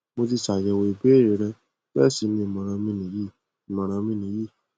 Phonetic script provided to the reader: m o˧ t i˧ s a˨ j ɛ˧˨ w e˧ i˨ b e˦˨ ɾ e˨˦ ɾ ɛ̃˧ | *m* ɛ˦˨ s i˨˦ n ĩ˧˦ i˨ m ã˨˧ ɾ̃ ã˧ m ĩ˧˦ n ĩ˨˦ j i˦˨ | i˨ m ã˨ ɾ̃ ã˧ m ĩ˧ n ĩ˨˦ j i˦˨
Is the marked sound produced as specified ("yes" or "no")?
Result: no